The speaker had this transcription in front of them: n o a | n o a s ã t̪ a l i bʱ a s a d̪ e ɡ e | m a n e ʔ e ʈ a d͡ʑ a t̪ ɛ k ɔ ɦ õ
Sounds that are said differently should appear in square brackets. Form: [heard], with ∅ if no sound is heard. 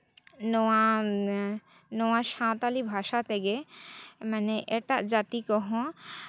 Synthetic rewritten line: n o a | n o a [ʃ] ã t̪ a l i bʱ a [ʃ] a [t̪] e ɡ e | m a n e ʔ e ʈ a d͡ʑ a t̪ [i] k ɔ ɦ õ